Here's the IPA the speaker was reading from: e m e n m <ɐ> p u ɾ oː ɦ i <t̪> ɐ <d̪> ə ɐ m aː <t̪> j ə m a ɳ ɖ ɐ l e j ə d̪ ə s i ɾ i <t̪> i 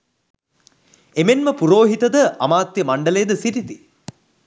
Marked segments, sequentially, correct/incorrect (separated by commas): incorrect, correct, correct, correct, correct